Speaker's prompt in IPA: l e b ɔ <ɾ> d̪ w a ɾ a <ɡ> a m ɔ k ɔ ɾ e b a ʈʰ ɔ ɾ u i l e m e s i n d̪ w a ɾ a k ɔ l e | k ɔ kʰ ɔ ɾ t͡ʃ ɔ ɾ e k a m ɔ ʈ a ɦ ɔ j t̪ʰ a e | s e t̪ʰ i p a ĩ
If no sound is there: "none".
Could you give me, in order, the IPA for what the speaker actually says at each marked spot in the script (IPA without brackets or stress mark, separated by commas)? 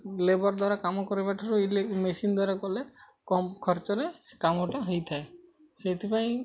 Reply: ɾ, k